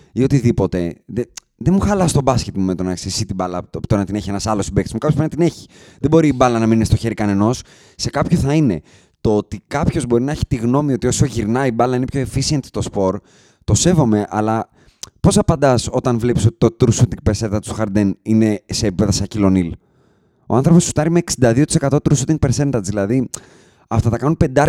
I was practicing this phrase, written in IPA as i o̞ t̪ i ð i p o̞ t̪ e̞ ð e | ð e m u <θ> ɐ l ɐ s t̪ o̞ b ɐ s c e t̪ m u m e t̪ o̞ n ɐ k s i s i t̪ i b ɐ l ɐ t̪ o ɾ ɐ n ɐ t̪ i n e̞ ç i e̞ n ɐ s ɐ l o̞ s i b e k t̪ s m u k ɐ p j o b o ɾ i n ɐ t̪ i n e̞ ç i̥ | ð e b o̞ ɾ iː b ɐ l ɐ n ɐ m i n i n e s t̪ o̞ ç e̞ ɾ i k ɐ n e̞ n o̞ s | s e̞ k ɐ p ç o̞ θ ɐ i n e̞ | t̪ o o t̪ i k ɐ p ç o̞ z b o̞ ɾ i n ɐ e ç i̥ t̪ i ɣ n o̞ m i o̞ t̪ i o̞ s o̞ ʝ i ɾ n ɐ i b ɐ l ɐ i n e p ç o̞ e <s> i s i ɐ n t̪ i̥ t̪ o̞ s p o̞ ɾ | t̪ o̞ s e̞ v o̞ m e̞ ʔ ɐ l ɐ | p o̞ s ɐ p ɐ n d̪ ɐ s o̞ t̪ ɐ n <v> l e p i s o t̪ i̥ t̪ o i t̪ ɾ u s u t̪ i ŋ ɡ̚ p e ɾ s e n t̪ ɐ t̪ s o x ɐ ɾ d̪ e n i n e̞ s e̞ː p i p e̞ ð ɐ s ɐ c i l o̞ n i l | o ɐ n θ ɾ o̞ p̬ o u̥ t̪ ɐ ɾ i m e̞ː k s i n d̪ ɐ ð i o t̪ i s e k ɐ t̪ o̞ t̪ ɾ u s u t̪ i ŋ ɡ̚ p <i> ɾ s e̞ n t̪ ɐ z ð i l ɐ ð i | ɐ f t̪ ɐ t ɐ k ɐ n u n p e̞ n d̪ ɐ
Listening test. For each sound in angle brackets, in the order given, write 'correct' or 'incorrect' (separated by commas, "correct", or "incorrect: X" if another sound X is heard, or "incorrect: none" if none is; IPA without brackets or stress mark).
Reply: incorrect: x, incorrect: f, correct, incorrect: e